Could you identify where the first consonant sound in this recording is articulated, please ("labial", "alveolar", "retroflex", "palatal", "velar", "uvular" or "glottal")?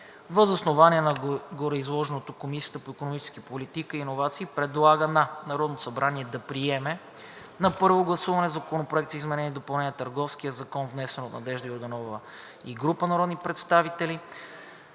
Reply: labial